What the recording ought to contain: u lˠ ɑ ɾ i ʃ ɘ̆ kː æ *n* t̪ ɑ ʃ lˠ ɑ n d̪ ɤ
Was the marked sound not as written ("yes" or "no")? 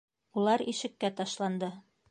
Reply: yes